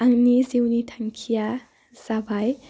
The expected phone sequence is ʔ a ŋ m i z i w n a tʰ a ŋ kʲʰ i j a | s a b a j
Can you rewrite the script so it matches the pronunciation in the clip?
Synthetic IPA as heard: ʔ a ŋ n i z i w n i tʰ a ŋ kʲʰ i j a | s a b a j